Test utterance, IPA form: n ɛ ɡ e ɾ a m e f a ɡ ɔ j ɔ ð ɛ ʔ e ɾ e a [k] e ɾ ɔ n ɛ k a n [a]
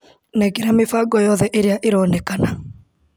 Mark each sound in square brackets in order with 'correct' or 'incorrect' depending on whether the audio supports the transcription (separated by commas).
incorrect, correct